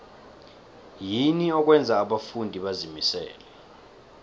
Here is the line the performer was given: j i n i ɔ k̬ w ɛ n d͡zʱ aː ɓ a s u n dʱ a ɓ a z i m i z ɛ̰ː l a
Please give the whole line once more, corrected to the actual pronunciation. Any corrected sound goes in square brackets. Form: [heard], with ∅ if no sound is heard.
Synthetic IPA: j i n i ɔ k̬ w ɛ n d͡zʱ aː ɓ a [f] u n dʱ [i] ɓ a z i m i [s] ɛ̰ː l [ɛ]